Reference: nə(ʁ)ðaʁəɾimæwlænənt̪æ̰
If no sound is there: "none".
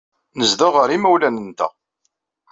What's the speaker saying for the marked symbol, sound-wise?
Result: z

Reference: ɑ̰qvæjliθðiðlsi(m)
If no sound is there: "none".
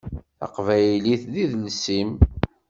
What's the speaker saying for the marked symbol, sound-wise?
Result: m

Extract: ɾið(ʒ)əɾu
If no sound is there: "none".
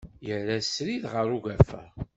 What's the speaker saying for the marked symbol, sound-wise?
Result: ʁ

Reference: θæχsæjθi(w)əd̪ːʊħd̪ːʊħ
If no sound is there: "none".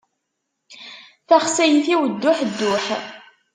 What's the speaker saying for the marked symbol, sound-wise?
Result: w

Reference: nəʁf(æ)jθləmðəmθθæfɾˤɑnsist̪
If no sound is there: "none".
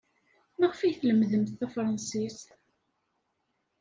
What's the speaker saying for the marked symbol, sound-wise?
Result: i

